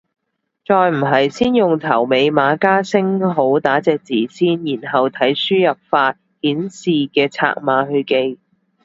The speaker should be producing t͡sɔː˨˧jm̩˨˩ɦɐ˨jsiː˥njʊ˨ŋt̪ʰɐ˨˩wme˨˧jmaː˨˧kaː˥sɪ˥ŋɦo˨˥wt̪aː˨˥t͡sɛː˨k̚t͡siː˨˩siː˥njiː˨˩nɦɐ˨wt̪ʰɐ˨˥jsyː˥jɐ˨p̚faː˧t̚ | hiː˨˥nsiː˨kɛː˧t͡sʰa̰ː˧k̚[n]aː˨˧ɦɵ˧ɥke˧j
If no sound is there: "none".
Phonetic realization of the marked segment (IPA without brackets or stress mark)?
m